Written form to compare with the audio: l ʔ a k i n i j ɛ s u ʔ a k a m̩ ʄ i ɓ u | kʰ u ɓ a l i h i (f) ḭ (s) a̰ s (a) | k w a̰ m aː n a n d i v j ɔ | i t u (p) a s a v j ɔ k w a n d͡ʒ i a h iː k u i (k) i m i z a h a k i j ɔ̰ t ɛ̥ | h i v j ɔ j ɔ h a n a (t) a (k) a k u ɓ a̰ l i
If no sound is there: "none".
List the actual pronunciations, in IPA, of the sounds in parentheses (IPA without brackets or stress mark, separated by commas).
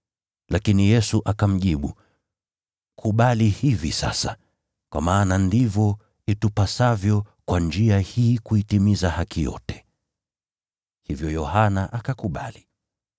v, s, a, p, t, ʔ, k